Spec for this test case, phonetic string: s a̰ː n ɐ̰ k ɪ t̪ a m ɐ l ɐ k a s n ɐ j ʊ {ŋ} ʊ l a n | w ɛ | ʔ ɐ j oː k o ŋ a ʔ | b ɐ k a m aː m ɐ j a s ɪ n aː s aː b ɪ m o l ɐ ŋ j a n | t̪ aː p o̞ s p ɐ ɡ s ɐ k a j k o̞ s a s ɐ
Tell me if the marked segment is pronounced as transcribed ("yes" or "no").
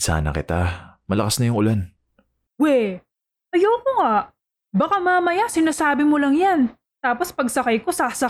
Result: yes